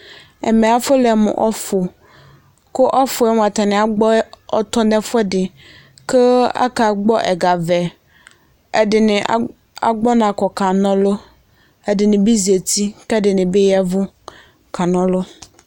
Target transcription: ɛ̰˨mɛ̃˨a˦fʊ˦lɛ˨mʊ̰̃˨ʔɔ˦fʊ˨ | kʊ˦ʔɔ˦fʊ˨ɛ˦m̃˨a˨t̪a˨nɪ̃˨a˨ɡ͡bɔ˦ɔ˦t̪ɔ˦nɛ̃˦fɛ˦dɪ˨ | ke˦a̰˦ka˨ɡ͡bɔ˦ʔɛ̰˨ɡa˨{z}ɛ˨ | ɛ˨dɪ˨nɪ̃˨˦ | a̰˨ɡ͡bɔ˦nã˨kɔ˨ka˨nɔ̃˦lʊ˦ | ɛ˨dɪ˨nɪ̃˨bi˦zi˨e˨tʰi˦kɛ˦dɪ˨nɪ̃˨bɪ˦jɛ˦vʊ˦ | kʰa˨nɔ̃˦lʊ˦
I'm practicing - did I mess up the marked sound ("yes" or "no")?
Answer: yes